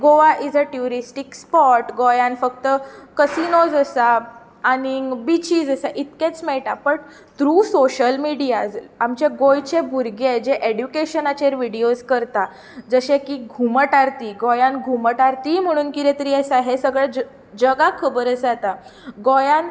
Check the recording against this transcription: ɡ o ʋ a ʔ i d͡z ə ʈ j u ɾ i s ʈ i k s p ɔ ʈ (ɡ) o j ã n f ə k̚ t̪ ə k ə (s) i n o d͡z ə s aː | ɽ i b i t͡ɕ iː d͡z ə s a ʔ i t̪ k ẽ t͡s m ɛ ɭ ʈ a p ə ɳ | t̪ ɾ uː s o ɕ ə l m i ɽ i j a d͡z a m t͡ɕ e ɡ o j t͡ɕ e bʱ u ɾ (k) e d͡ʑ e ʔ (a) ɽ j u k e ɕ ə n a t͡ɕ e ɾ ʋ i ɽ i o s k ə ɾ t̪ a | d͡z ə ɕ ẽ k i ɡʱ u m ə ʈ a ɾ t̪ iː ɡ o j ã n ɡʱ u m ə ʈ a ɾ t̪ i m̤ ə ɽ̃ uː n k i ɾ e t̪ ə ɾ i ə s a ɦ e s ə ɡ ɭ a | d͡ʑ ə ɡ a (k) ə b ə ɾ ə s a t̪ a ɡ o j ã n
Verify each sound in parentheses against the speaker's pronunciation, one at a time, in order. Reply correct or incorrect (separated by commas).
correct, correct, incorrect, incorrect, incorrect